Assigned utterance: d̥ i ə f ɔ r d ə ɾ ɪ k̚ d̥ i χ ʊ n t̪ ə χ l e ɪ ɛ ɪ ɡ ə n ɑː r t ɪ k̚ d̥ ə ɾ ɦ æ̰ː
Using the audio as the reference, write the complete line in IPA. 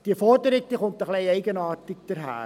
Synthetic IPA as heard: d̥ i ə f ɔ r d ə ɾ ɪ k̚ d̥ i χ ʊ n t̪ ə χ l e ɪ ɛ ɪ ɡ ə n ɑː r t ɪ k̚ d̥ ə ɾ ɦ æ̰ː